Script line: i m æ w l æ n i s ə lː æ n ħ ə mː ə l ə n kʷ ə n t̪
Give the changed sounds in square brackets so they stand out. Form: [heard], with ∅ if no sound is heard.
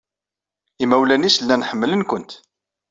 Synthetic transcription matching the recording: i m æ w l æ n i s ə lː æ n ħ ə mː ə l ə n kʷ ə n t̪